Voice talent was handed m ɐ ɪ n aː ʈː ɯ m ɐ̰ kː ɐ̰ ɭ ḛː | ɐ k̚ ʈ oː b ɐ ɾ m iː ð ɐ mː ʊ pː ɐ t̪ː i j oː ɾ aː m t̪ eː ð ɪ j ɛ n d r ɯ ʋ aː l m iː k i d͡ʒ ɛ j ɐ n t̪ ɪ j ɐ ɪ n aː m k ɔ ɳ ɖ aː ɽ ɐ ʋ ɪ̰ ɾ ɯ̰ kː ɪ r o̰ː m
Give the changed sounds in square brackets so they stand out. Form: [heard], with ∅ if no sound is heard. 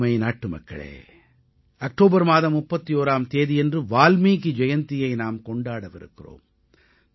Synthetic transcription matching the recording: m ɐ ɪ n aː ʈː ɯ m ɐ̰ kː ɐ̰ ɭ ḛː | ɐ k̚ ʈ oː b ɐ ɾ m [aː] ð ɐ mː ʊ pː ɐ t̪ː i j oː ɾ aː m t̪ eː ð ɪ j ɛ n d r ɯ ʋ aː l m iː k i d͡ʒ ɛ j ɐ n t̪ ɪ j ɐ ɪ n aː m k ɔ ɳ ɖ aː ɽ ɐ ʋ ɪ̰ ɾ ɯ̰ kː ɪ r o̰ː m